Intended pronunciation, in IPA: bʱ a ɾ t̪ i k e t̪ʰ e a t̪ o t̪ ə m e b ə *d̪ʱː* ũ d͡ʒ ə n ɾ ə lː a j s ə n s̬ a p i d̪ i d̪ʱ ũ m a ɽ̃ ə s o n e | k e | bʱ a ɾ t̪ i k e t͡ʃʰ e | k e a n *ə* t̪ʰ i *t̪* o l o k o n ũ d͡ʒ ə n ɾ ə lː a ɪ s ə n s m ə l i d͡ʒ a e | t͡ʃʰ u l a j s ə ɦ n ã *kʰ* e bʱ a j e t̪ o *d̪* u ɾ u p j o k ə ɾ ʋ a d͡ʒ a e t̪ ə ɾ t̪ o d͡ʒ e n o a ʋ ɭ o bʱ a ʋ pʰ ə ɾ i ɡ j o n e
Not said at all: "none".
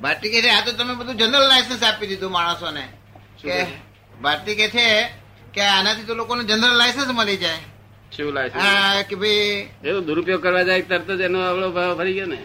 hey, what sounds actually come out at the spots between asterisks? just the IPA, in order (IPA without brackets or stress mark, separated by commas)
d̪ʱ, a, t̪, k, d̪